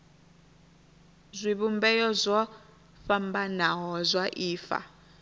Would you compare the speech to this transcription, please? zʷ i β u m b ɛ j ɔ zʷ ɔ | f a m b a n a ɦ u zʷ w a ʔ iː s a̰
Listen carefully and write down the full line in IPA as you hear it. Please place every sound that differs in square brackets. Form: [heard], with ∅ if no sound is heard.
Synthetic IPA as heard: zʷ i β u m b ɛ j ɔ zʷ ɔ | f a m b a n a ɦ [ɔ] zʷ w a ʔ iː [f] a̰

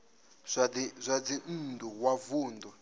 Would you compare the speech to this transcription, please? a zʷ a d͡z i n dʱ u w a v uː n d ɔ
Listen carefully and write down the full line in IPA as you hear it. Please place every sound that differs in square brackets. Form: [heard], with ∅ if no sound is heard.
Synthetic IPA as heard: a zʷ a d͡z i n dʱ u w a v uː n d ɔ

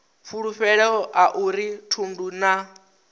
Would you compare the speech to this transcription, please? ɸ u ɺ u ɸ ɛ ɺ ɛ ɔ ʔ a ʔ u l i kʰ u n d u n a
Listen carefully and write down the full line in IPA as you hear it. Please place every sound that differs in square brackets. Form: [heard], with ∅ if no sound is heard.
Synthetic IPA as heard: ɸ u ɺ u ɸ ɛ ɺ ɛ ɔ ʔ a ʔ u [ɾ] i [tʰ] u n d u n a

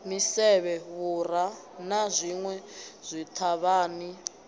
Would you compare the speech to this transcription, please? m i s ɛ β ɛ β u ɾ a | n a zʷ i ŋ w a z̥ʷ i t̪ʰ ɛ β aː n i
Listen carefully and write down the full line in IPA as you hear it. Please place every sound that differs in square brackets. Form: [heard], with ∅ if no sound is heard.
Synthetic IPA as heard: m i s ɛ β ɛ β u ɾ a | n a zʷ i ŋ w [ɛ] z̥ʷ i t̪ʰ [a] β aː n i

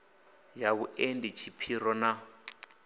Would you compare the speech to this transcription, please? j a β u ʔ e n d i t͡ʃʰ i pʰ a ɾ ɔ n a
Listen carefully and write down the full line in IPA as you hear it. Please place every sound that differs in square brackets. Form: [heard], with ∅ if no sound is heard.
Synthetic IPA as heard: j a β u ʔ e n d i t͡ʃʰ i pʰ [i] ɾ ɔ n a

